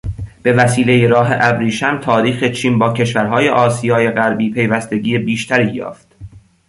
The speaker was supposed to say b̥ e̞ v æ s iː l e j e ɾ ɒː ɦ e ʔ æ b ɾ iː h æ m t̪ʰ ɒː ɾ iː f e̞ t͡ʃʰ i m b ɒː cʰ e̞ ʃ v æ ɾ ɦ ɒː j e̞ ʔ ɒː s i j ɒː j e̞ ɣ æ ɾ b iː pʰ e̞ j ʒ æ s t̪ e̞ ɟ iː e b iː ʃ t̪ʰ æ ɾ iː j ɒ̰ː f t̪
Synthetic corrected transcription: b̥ e̞ v æ s iː l e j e ɾ ɒː ɦ e ʔ æ b ɾ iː ʃ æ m t̪ʰ ɒː ɾ iː x e̞ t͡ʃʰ iː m b ɒː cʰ e̞ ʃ v æ ɾ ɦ ɒː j e̞ ʔ ɒː s i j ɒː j e̞ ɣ æ ɾ b iː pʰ e̞ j v æ s t̪ e̞ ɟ iː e b iː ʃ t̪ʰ æ ɾ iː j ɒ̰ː f t̪